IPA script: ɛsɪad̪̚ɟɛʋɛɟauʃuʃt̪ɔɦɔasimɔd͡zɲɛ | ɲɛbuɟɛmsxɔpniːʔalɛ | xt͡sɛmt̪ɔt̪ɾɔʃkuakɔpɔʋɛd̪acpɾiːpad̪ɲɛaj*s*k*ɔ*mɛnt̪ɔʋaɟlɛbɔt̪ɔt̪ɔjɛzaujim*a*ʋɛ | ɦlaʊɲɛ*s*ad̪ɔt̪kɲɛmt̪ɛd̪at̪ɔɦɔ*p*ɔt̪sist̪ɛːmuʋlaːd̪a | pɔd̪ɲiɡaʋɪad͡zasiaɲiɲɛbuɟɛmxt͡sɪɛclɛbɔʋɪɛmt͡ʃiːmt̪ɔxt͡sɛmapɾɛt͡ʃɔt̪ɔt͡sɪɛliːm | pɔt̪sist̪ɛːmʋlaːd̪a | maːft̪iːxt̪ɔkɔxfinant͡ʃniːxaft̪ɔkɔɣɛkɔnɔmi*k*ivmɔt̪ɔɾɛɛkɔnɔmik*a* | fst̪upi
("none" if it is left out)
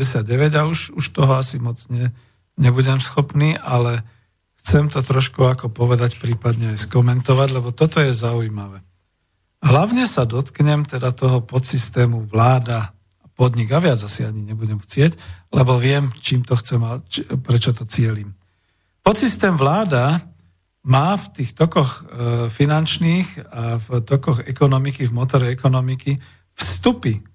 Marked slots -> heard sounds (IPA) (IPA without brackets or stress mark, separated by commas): s, ɔ, a, s, p, k, i